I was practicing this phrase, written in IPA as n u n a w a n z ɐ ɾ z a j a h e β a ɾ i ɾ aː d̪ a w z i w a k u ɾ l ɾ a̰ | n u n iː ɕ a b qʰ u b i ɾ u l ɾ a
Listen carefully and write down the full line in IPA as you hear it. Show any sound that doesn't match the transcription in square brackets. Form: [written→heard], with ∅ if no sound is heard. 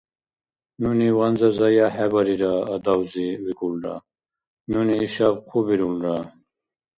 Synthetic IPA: n u n [a→i] w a n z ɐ [ɾ→∅] z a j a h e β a ɾ i ɾ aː d̪ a w z i w [a→i] k u [ɾ→∅] l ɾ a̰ | n u n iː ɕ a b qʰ u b i ɾ u l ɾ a